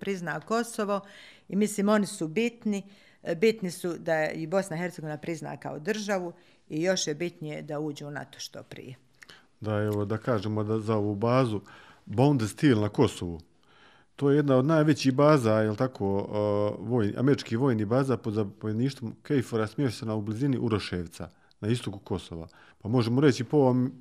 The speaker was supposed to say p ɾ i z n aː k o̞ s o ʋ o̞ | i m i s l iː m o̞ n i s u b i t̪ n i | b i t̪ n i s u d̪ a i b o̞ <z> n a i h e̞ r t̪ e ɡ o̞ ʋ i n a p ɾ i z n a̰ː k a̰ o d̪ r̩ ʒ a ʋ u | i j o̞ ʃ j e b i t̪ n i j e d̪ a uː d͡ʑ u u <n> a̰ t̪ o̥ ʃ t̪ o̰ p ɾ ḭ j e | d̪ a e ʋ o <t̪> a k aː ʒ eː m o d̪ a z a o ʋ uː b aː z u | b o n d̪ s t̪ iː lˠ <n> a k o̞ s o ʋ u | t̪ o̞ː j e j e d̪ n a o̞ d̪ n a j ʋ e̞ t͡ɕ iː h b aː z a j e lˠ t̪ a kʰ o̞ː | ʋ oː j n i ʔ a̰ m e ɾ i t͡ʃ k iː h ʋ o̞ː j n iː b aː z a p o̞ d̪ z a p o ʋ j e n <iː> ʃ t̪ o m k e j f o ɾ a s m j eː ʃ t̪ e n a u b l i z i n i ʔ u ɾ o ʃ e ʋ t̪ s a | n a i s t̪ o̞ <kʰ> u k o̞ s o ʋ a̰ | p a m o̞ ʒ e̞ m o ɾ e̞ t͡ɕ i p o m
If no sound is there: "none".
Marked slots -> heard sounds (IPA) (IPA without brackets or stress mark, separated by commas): s, n, d̪, n, iː, k